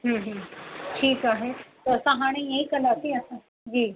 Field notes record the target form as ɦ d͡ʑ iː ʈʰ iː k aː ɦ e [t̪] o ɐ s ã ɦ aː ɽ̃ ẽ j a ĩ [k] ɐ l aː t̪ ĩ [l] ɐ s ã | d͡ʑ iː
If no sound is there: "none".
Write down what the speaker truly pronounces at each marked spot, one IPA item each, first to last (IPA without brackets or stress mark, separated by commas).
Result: t̪, k, none